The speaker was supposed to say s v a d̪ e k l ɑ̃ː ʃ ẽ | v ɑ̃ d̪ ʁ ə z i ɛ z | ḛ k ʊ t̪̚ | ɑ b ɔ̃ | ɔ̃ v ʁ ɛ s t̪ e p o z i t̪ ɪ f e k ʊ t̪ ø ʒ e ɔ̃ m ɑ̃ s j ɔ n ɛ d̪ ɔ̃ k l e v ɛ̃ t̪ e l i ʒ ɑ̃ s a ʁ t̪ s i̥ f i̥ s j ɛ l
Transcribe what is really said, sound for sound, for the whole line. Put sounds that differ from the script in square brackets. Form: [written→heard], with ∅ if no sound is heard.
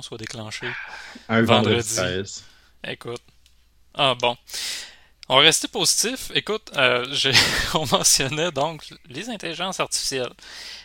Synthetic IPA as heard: s [v→w] a d̪ e k l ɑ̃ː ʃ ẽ | v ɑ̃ d̪ ʁ ə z i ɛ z | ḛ k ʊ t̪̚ | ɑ b ɔ̃ | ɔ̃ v ʁ ɛ s t̪ e p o z i t̪ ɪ f e k ʊ t̪ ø ʒ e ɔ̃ m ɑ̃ s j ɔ n ɛ d̪ ɔ̃ k l e [v→z] ɛ̃ t̪ e l i ʒ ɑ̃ s a ʁ t̪ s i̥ f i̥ s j ɛ l